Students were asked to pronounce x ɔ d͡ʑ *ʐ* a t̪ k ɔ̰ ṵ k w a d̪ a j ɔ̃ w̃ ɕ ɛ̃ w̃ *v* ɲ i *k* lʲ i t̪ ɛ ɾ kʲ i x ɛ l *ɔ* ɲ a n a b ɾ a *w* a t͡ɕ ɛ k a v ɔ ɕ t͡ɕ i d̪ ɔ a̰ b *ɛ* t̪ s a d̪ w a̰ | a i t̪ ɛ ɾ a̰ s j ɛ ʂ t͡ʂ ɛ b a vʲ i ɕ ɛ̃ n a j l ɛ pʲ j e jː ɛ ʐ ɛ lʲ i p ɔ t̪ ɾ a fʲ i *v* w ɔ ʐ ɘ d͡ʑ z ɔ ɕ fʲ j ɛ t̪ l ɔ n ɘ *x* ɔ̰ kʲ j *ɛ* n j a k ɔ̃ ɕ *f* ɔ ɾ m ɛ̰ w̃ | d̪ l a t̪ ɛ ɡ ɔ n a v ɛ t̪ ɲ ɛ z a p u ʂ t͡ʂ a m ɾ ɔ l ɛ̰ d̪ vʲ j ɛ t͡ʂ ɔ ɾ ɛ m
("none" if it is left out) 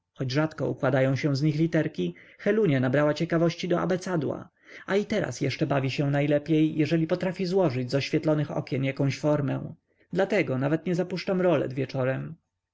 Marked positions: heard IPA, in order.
ʐ, z, x, u, w, ɛ, z, x, ɛ, f

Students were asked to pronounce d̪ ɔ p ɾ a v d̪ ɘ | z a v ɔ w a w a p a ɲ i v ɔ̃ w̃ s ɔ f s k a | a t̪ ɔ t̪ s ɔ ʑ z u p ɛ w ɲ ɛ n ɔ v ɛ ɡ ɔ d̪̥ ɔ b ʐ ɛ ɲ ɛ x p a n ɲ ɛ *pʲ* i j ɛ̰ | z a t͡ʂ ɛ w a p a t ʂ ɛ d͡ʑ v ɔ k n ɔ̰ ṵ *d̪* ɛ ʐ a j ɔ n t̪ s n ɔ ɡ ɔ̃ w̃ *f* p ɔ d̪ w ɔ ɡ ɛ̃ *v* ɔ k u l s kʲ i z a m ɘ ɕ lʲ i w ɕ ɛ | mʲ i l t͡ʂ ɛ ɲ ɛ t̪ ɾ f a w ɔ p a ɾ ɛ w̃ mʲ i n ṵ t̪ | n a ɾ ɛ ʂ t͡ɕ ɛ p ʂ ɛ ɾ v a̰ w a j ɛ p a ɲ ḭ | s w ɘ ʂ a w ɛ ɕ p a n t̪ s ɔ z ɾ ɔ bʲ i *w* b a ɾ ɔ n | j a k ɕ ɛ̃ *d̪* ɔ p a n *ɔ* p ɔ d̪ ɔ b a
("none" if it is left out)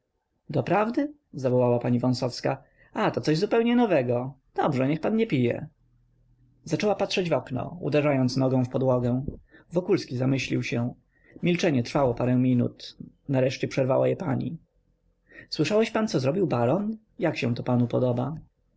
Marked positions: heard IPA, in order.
pʲ, d̪, f, v, w, t̪, u

